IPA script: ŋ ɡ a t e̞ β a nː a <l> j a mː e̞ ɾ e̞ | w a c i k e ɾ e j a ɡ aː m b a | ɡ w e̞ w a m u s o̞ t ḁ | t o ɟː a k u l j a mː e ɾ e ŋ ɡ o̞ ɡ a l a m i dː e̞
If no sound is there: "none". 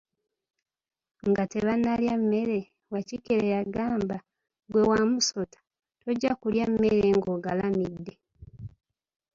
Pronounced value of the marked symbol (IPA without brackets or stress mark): l